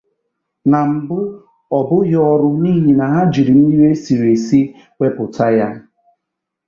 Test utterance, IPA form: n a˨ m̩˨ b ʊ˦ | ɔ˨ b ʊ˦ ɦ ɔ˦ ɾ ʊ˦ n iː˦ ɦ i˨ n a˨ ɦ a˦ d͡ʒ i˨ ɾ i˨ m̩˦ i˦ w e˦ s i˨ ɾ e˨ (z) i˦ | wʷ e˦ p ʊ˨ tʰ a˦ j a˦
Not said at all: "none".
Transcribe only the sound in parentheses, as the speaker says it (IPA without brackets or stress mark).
s